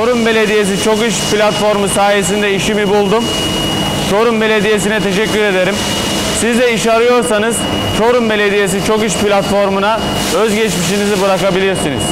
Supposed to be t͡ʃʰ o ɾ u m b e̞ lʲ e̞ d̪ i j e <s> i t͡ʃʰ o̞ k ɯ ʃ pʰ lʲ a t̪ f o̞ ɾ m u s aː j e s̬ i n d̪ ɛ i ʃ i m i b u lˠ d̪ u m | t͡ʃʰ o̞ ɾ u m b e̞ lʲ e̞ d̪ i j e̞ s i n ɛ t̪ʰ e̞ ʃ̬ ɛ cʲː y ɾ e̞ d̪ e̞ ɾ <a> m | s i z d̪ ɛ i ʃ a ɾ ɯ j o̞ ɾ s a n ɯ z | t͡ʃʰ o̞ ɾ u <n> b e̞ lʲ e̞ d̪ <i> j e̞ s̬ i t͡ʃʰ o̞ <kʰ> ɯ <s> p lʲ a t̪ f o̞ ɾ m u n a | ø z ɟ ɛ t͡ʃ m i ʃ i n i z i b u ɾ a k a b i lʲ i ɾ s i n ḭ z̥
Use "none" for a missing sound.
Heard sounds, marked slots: s, i, m, i, k, ʃ

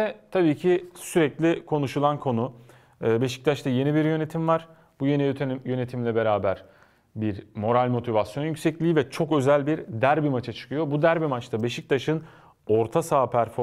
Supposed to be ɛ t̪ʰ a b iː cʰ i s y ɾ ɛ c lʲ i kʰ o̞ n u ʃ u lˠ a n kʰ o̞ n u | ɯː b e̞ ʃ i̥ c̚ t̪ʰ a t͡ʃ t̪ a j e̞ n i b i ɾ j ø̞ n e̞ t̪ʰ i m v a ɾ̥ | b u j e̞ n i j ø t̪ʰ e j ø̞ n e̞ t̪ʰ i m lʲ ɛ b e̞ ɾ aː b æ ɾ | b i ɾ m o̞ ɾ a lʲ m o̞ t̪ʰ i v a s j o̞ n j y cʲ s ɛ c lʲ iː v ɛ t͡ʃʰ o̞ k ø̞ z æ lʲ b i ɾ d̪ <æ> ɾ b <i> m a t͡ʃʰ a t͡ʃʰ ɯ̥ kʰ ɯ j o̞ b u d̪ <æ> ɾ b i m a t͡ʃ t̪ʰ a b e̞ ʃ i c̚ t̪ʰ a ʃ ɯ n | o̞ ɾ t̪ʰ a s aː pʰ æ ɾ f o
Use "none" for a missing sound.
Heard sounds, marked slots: æ, i, æ

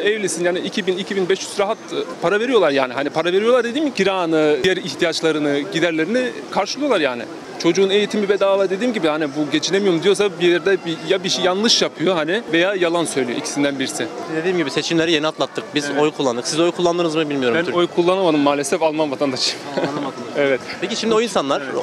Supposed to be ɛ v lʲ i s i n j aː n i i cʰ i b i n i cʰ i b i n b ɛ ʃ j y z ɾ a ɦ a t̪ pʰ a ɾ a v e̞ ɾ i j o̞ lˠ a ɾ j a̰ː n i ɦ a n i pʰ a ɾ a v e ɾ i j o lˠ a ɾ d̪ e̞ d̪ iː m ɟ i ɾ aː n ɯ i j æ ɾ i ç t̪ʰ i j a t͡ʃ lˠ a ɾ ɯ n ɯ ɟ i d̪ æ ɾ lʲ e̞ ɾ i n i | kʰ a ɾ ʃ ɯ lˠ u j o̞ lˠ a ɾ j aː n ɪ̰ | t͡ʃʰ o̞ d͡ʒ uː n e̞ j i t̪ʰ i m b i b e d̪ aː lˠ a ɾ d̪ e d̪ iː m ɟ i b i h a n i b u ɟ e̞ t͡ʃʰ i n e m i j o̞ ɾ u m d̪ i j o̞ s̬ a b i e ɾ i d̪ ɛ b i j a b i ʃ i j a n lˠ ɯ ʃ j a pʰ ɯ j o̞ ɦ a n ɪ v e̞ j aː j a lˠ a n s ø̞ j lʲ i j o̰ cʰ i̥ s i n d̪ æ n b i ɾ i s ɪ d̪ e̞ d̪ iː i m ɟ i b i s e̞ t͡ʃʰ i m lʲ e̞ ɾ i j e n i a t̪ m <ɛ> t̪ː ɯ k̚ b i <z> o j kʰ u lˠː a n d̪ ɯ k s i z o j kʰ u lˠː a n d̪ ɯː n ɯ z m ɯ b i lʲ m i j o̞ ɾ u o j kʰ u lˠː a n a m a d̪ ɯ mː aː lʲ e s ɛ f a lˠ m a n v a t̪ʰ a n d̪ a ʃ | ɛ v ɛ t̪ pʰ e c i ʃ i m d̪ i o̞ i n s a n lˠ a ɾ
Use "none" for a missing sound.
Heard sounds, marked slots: a, z

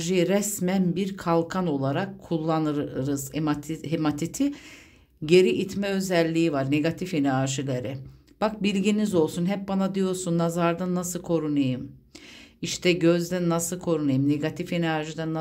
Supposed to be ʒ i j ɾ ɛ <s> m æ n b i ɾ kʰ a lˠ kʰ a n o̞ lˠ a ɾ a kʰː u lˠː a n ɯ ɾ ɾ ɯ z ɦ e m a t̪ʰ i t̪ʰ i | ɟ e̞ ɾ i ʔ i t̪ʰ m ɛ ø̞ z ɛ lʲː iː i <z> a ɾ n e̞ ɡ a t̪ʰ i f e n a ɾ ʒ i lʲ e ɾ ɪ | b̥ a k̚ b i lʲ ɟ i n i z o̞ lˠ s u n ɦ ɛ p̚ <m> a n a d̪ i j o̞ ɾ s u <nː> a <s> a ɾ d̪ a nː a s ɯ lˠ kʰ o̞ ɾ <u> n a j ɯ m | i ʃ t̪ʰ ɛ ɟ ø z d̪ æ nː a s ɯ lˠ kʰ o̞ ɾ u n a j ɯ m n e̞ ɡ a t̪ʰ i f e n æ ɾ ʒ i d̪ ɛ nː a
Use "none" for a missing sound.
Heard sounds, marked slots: s, v, b, nː, z, u

